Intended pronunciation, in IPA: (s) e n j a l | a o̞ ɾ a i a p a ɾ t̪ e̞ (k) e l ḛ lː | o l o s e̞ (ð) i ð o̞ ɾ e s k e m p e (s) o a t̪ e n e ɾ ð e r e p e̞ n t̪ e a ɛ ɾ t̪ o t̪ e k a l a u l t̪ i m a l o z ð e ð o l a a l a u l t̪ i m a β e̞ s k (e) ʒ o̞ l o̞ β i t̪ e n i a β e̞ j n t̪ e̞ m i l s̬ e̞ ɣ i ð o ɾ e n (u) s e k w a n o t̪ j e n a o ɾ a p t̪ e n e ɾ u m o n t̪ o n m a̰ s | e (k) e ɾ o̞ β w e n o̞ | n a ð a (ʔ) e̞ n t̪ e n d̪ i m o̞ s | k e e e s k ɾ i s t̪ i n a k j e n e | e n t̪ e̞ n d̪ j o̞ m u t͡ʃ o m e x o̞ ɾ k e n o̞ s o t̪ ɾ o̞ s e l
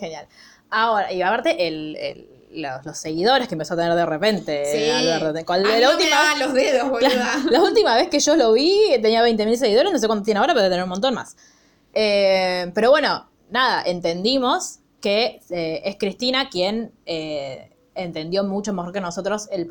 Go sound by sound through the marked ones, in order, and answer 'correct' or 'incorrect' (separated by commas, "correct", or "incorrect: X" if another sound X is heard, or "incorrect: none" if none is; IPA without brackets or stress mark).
incorrect: x, incorrect: ʔ, incorrect: ɣ, correct, correct, incorrect: o, incorrect: p, correct